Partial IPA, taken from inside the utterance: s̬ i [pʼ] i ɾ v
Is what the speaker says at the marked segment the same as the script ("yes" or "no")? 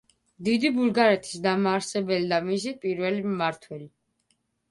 yes